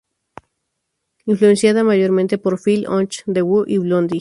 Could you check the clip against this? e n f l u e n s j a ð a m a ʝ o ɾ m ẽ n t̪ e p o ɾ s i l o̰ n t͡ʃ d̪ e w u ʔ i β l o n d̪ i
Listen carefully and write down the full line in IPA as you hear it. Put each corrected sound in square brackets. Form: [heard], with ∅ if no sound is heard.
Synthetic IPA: [i] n f l u e n s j a ð a m a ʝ o ɾ m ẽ n t̪ e p o ɾ [f] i l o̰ n t͡ʃ d̪ e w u ʔ i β l o n d̪ i